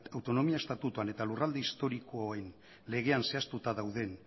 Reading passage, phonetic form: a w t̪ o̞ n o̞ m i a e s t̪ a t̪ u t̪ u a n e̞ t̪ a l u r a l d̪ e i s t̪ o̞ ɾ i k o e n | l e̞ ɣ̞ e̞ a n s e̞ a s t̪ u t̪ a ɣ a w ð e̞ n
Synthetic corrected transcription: a w t̪ o̞ n o̞ m i a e s t̪ a t̪ u t̪ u a n e̞ t̪ a l u r a l d̪ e i s t̪ o̞ ɾ i k o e n | l e̞ ɣ̞ e̞ a n s e̞ a s t̪ u t̪ a ð a w ð e̞ n